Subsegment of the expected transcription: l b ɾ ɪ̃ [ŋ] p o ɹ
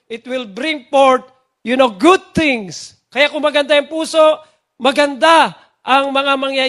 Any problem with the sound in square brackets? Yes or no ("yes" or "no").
no